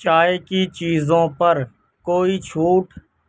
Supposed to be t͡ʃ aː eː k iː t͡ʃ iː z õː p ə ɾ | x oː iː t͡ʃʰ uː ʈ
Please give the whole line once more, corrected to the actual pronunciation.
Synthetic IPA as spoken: t͡ʃ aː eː k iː t͡ʃ iː z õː p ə ɾ | k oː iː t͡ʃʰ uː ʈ